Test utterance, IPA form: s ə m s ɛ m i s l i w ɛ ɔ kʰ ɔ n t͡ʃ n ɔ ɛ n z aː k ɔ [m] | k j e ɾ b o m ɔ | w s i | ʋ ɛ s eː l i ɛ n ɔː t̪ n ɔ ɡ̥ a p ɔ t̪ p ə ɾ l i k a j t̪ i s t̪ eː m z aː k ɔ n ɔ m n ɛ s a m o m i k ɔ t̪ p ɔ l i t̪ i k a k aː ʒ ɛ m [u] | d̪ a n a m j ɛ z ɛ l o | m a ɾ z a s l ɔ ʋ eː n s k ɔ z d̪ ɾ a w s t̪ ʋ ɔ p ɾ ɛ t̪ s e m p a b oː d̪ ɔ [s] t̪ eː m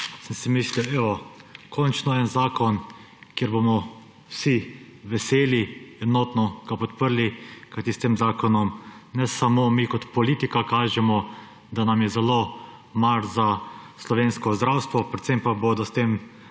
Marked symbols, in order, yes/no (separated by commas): no, no, yes